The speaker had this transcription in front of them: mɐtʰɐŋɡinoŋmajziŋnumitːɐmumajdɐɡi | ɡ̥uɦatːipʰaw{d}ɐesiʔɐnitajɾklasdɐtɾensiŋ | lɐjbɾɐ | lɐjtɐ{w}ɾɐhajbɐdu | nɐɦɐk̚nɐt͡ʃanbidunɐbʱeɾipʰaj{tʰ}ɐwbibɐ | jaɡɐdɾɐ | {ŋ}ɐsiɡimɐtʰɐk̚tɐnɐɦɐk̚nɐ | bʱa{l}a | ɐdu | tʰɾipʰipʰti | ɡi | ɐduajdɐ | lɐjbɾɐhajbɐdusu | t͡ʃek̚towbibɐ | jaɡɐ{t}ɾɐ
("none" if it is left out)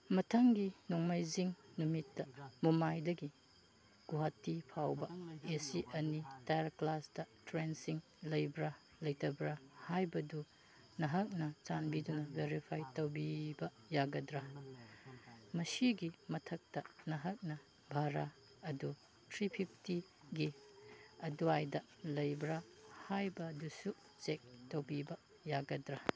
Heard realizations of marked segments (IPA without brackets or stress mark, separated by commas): b, b, t, m, ɾ, d